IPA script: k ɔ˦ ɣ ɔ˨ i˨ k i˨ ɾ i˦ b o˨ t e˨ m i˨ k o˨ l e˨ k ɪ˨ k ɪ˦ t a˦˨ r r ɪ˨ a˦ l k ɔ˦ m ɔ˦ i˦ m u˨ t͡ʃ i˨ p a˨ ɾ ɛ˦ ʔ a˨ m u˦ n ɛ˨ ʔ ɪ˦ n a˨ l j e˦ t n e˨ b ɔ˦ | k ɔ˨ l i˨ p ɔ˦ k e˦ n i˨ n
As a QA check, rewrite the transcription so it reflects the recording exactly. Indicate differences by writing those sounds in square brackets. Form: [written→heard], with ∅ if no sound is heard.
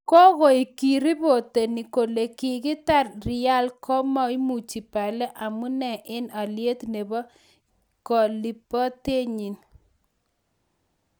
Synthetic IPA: k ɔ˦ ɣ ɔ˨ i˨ k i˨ ɾ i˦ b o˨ t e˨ [m→n] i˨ k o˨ l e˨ k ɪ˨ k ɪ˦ t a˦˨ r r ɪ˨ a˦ l k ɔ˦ m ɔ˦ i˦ m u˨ t͡ʃ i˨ p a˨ [ɾ→l] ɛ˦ ʔ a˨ m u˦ n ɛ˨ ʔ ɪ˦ n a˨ l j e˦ t n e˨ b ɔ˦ | k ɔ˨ l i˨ p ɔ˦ [k→t] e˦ [n→ɲ] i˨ n